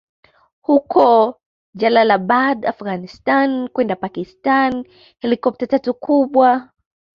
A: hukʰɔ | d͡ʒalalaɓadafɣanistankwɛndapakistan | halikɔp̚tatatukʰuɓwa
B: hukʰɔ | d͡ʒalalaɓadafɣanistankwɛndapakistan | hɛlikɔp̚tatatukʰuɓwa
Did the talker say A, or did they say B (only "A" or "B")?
B